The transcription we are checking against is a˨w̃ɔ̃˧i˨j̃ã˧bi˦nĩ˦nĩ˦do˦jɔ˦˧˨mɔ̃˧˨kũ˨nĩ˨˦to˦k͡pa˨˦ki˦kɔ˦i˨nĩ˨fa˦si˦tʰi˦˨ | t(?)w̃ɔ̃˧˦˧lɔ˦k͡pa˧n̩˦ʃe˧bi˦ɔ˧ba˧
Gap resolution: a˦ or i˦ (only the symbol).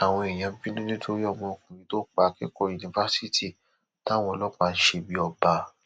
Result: a˦